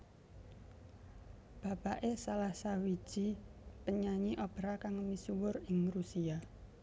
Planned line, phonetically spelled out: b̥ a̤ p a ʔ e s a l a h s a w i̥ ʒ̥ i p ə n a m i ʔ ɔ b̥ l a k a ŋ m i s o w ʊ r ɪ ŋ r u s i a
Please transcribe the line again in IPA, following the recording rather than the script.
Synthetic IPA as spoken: b̥ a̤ p a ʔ e s a l a h s a w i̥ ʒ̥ i p ə ɲ a ɲ i ʔ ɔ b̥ ɾ a k a ŋ m i s u w ʊ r ɪ ŋ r u s i a

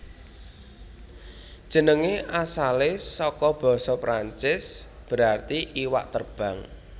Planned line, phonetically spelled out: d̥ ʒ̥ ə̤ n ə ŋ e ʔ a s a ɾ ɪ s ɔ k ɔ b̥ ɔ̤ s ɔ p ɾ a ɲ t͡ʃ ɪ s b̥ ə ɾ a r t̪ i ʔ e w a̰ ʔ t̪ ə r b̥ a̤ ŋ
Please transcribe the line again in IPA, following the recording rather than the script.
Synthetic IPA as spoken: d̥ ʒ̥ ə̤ n ə ŋ e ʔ a s a l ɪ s ɔ k ɔ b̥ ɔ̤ s ɔ p ɾ a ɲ t͡ʃ ɪ s b̥ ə ɾ a r t̪ i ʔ i w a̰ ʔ t̪ ə r b̥ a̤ ŋ

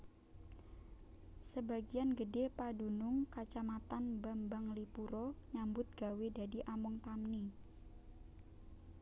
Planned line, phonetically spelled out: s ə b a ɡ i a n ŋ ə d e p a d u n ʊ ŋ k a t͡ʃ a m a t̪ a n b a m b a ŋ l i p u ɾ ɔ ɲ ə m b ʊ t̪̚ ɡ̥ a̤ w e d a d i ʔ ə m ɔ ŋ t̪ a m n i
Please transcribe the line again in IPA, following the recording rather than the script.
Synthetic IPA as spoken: s ə b a ɡ i a n ɡ ə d e p a d u n ʊ ŋ k a t͡ʃ a m a t̪ a n b a m b a ŋ l i p u ɾ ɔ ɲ a m b ʊ t̪̚ ɡ̥ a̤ w e d a d i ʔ a m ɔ ŋ t̪ a m n i

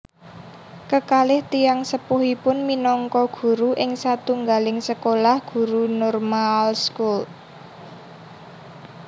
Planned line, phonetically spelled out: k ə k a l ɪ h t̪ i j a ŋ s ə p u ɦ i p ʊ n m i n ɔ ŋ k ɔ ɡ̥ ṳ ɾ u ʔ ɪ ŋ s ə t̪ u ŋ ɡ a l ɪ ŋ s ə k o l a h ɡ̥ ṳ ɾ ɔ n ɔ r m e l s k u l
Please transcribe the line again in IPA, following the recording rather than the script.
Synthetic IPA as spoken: k ə k a l ɪ h t̪ i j a ŋ s ə p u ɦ i p ʊ n m i n ɔ ŋ k ɔ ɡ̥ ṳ ɾ u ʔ ɪ ŋ s a t̪ u ŋ ɡ a l ɪ ŋ s ə k o l a h ɡ̥ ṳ ɾ u n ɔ r m a l s k u l

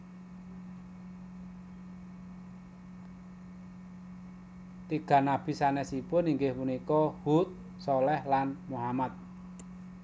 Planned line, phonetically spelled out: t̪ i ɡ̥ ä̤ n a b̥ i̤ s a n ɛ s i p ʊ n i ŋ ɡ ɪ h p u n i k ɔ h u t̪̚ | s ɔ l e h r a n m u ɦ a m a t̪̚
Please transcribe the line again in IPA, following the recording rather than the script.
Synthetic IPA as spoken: t̪ i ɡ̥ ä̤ n a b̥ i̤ s a n ɛ s i p ʊ n i ŋ ɡ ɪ h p u n i k ɔ h u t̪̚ | s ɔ l ɛ h l a n m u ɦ a m a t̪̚

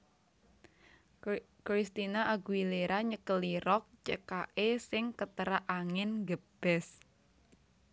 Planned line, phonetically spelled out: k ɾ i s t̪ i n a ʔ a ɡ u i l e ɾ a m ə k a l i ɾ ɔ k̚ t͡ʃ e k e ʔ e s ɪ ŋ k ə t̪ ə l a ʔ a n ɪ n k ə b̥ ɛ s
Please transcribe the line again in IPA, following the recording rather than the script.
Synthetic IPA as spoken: k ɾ i s t̪ i n a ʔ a ɡ u i l e ɾ a ɲ ə k ə l i ɾ ɔ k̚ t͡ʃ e k a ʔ e s ɪ ŋ k ə t̪ ə ɾ a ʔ a ŋ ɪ n ɡ ə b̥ ɛ s

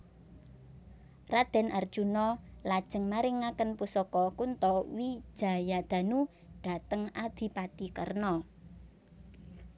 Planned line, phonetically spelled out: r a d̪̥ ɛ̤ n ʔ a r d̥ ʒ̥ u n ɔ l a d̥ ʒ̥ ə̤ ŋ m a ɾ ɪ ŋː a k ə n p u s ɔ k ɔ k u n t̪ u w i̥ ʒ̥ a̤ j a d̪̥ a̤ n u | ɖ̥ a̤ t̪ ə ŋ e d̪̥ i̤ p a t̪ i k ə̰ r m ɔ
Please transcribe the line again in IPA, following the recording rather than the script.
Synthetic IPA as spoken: r a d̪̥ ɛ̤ n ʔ a r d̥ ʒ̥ u n ɔ l a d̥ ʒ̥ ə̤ ŋ m a ɾ ɪ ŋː a k ə n p u s ɔ k ɔ k u n t̪ ɔ w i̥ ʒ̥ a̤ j a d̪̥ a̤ n u | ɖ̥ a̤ t̪ ə ŋ a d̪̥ i̤ p a t̪ i k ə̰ r n ɔ

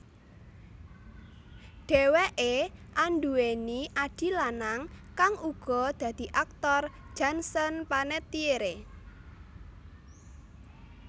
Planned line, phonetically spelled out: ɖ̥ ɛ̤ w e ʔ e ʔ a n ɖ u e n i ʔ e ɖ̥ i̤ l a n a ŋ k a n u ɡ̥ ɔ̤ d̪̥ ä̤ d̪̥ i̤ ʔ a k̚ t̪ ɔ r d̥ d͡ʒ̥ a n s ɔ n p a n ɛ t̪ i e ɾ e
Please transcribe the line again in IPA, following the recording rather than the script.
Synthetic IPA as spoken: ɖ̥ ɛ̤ w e ʔ e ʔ a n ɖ u e n i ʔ a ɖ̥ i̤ l a n a ŋ k a ŋ u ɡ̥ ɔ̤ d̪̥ ä̤ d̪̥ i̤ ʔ a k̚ t̪ ɔ r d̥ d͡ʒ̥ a n s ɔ n p a n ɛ t̪ i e ɾ e

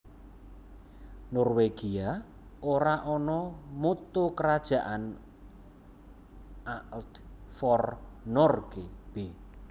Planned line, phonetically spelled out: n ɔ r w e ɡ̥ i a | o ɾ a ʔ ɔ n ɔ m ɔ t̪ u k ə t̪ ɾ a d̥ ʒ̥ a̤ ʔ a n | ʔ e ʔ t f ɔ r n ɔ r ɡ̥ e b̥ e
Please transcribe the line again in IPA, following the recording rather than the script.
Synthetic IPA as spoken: n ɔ r w e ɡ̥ i a | o ɾ a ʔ ɔ n ɔ m u t̪ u k ə ɾ a d̥ ʒ̥ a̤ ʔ a n | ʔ a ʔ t f ɔ r n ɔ r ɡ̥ e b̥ e

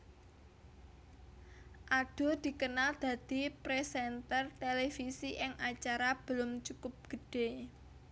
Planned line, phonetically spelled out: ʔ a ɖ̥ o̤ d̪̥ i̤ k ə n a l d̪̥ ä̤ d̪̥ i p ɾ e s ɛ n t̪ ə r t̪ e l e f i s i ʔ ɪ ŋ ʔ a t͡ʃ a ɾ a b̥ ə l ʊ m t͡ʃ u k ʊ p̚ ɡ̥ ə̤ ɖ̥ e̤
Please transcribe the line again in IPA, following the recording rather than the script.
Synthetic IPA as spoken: ʔ a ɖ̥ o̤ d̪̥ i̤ k ə n a l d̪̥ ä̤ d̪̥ i p ɾ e s ɛ n t̪ ə r t̪ e l e f i s i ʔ ɪ ŋ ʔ a t͡ʃ a ɾ a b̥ ə l ʊ m t͡ʃ u k ʊ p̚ ɡ̥ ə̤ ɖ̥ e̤

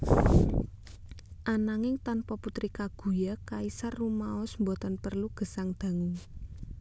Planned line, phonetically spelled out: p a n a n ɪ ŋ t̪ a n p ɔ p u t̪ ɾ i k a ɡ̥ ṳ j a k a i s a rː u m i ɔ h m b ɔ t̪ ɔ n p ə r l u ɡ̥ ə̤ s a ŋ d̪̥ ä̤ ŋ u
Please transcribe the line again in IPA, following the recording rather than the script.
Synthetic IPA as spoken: ʔ a n a ŋ ɪ ŋ t̪ a n p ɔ p u t̪ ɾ i k a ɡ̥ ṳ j a k a i s a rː u m a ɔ s m b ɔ t̪ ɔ n p ə r l u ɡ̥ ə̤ s a ŋ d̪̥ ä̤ ŋ u

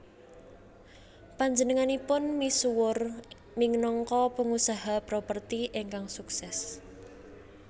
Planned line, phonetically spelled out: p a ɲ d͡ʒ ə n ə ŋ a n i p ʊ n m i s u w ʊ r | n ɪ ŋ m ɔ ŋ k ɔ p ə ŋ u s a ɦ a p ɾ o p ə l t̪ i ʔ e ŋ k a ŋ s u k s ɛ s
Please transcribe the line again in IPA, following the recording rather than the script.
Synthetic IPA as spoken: p a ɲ d͡ʒ ə n ə ŋ a n i p ʊ n m i s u w ʊ r | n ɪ ŋ n ɔ ŋ k ɔ p ə ŋ u s a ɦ a p ɾ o p ə r t̪ i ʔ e ŋ k a ŋ s u k s ɛ s

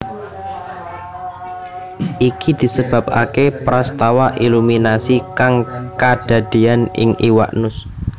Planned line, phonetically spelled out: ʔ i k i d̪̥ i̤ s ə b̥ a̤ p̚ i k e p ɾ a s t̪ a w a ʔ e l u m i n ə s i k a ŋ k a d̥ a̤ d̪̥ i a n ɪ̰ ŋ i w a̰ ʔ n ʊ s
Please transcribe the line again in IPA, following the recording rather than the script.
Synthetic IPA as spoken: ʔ i k i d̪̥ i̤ s ə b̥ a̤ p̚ a k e p ɾ a s t̪ a w a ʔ i l u m i n a s i k a ŋ k a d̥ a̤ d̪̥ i a n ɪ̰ ŋ i w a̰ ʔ n ʊ s

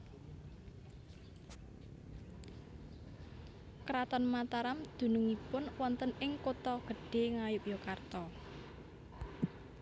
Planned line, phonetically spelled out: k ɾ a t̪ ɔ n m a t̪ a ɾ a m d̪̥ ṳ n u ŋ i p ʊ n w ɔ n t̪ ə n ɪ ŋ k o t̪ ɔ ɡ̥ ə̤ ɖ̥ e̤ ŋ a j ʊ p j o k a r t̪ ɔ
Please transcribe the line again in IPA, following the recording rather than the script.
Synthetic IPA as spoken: k ɾ a t̪ ɔ n m a t̪ a ɾ a m d̪̥ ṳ n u ŋ i p ʊ n w ɔ n t̪ ə n ɪ ŋ k o t̪ ɔ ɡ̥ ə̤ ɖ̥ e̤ ŋ a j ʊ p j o k a r t̪ ɔ

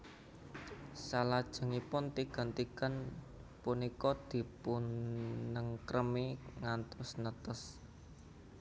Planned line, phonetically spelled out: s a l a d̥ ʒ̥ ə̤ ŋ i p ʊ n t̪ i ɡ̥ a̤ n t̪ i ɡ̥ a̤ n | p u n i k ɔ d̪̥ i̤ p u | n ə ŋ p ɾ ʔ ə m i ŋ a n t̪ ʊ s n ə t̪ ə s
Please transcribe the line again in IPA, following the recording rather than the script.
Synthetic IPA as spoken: s a l a d̥ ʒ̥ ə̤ ŋ i p ʊ n t̪ i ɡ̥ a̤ n t̪ i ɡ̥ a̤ n | p u n i k ɔ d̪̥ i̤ p u | n ə ŋ k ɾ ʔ ə m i ŋ a n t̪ ʊ s n ə t̪ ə s

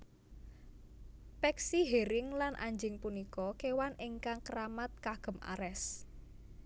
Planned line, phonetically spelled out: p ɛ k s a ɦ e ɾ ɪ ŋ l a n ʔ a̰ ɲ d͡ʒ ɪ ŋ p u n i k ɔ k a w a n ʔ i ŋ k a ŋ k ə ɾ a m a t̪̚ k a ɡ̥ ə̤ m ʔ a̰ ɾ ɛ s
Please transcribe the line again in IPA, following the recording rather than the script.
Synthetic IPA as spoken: p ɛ k s i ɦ e ɾ ɪ ŋ l a n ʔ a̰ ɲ d͡ʒ ɪ ŋ p u n i k ɔ k e w a n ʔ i ŋ k a ŋ k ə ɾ a m a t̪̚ k a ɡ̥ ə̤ m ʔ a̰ ɾ ɛ s

